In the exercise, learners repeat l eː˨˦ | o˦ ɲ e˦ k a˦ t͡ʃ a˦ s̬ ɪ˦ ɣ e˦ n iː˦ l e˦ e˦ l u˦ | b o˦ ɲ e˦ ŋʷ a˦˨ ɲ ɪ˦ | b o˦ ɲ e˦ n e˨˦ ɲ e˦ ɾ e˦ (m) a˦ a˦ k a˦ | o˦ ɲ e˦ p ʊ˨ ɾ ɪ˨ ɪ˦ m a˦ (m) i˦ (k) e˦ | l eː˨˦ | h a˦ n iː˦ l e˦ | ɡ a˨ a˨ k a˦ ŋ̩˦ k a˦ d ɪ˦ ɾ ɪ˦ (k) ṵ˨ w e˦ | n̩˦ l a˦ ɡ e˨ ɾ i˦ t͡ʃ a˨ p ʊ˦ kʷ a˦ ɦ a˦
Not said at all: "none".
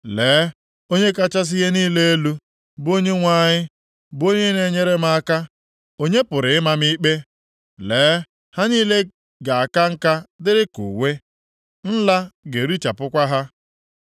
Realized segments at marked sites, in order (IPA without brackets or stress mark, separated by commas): m, m, k͡p, k